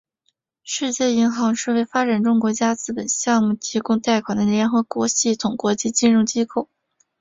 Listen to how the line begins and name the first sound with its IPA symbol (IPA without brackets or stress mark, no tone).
ʂ